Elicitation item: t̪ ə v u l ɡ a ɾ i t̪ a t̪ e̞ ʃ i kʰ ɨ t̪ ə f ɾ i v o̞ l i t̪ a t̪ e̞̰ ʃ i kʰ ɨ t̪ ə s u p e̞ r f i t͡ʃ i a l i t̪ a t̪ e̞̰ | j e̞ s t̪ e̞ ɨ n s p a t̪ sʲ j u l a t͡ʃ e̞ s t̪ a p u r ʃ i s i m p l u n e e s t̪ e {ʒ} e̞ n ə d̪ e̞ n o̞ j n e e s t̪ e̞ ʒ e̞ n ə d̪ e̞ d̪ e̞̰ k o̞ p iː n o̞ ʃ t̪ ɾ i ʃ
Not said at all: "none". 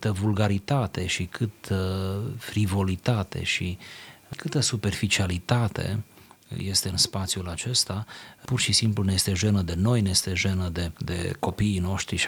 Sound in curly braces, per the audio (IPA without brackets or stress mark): ʒ